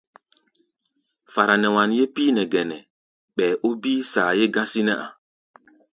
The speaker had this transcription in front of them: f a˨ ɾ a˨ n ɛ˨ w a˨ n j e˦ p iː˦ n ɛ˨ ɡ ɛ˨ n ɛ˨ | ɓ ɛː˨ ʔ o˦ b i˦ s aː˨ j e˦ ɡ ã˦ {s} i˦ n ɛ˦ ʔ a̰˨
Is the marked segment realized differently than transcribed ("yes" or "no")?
no